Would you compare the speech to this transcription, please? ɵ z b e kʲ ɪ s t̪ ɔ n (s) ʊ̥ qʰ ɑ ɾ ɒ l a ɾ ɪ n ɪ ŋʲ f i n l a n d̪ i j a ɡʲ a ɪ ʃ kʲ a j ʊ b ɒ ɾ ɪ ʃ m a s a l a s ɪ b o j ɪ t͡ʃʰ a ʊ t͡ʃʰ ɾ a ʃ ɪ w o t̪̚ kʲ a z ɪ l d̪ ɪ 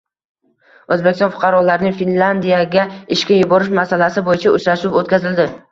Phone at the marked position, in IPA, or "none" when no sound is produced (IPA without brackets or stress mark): f